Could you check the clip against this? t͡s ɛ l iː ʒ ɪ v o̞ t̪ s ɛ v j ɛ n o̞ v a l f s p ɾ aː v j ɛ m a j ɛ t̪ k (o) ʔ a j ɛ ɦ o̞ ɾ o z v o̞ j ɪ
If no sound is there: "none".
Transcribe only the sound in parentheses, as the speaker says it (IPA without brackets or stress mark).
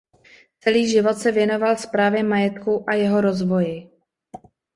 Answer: u